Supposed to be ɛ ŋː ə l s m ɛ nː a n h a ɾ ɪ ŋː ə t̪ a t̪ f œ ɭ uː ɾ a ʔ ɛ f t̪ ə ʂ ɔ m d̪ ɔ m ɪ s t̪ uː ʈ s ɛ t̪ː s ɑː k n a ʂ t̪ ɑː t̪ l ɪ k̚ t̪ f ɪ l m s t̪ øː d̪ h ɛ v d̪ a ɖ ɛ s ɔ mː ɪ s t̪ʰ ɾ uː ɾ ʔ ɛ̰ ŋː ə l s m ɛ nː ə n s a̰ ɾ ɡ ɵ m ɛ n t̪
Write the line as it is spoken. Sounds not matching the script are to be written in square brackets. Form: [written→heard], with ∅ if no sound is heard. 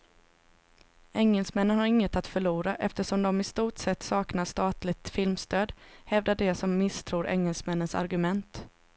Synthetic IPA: ɛ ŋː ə l s m ɛ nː [a→ə] n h a ɾ ɪ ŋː ə t̪ a t̪ f œ ɭ uː ɾ a ʔ ɛ f t̪ ə ʂ ɔ m d̪ ɔ m ɪ s t̪ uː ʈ s ɛ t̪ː s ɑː k n a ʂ t̪ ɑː t̪ l ɪ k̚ t̪ f ɪ l m s t̪ øː d̪ h ɛ v d̪ a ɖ ɛ s ɔ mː ɪ s t̪ʰ ɾ uː ɾ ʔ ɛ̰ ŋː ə l s m ɛ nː ə n s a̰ ɾ ɡ ɵ m ɛ n t̪